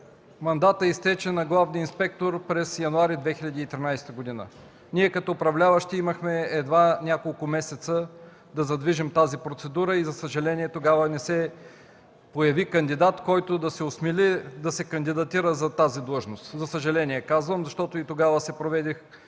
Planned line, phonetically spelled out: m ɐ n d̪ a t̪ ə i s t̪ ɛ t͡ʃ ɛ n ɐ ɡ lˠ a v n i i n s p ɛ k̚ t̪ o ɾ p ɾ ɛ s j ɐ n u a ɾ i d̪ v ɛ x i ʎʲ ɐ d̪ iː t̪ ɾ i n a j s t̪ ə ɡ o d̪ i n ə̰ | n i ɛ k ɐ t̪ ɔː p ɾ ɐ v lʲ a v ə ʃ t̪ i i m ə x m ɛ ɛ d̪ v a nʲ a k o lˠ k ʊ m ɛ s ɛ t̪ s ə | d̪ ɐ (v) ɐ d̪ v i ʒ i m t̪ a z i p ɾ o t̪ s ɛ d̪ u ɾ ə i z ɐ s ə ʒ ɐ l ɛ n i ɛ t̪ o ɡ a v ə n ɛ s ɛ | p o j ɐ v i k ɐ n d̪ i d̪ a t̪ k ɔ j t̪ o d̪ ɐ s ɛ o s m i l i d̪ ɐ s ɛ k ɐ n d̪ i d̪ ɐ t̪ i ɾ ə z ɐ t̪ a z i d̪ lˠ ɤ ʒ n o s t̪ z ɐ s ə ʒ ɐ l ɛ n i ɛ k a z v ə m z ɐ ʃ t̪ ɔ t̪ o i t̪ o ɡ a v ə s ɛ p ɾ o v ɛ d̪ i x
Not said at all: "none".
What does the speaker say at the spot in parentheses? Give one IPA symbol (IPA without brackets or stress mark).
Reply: z